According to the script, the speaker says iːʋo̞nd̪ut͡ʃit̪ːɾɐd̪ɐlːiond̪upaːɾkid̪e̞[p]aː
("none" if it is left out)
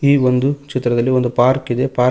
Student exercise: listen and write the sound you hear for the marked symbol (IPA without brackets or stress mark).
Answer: p